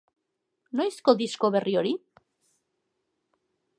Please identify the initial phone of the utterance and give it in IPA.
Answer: n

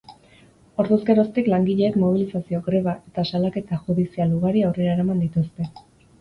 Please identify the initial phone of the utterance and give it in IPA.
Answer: o̞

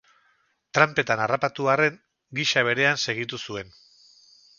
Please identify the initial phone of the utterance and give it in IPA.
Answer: t̪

